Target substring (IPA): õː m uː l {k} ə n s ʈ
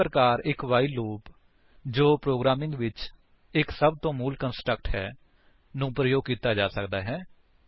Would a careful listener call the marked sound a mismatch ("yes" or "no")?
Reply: no